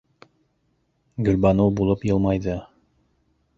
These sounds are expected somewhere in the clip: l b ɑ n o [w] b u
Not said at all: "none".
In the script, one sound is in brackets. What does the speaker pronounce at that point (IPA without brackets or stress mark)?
w